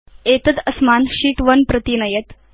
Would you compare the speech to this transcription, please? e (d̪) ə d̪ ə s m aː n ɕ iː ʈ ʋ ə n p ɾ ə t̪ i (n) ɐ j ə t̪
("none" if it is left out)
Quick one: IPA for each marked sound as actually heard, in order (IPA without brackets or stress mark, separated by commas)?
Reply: t̪, n